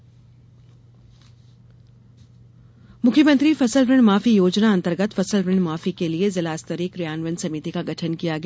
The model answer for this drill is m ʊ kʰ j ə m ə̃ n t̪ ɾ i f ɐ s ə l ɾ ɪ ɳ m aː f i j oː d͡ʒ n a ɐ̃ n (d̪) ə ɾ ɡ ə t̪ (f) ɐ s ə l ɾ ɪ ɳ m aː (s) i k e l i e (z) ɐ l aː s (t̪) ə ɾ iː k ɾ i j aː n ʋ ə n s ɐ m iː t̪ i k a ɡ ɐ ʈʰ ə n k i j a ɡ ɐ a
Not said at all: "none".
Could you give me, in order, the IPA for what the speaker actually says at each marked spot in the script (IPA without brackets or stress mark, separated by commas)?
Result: t̪, f, f, z, t̪